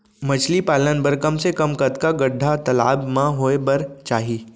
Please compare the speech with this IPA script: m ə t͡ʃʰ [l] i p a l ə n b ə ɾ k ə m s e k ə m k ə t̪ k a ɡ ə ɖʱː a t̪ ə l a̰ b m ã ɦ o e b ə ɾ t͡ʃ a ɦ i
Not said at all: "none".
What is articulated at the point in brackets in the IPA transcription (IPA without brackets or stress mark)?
l